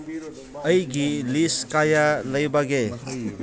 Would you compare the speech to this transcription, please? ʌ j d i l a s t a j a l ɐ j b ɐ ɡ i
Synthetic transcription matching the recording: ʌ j ɡ i l i s k a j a l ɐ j b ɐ ɡ e